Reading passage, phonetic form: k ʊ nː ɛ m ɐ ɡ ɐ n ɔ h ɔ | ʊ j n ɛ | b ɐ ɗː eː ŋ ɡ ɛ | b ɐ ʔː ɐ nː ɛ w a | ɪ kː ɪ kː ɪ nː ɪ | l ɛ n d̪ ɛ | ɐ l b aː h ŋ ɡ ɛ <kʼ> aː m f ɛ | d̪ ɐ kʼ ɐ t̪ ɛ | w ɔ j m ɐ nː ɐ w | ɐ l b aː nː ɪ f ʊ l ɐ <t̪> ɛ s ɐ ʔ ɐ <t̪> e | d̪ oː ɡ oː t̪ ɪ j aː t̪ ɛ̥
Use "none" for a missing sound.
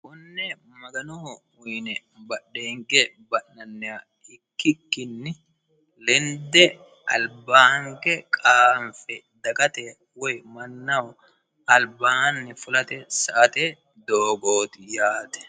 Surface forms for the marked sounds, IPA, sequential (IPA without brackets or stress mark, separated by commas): kʼ, t̪, t̪